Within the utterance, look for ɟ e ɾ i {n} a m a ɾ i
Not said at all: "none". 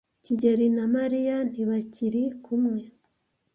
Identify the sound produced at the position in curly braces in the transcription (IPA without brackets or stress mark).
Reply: n